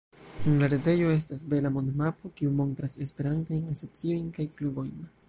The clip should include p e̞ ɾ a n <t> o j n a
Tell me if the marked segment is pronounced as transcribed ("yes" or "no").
yes